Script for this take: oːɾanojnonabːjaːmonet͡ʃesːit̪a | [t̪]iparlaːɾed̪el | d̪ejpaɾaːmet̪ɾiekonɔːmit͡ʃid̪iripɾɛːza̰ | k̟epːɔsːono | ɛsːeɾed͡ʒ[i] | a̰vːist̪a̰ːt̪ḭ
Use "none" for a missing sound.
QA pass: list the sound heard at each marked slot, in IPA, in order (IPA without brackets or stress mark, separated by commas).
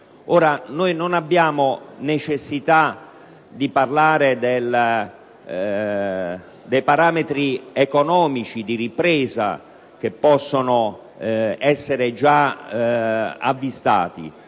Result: d̪, a